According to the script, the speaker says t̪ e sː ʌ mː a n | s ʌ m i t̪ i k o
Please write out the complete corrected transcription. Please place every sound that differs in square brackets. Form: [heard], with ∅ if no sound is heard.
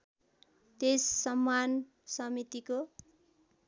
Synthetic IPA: t̪ e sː ʌ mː a n | s ʌ m i t̪ i k o